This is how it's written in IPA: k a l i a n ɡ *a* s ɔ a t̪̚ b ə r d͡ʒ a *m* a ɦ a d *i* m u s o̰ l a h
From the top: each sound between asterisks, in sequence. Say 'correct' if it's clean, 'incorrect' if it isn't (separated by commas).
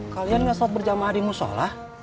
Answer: correct, correct, correct